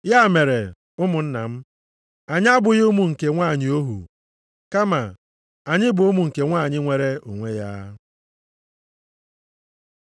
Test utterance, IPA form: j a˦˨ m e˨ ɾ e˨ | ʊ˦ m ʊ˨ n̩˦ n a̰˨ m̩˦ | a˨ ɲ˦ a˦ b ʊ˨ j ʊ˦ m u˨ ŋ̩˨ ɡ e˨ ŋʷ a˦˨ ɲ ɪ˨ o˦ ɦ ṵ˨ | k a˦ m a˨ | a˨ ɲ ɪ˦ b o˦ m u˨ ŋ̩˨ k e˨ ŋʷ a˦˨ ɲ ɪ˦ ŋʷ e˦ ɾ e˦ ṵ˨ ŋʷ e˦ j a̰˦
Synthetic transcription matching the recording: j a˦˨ m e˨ ɾ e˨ | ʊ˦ m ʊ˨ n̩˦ n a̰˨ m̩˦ | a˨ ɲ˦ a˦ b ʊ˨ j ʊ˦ m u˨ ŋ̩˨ k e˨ ŋʷ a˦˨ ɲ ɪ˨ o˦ ɦ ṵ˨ | k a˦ m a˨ | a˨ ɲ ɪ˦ b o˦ m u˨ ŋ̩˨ k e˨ ŋʷ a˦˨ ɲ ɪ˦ ŋʷ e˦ ɾ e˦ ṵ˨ ŋʷ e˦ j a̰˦